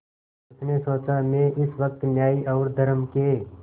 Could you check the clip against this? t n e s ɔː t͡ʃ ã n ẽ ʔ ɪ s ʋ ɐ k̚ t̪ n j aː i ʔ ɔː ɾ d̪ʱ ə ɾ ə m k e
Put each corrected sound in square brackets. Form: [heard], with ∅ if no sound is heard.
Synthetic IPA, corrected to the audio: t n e s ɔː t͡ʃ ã [m] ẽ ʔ ɪ s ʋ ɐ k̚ t̪ n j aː i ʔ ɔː ɾ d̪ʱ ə ɾ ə m k e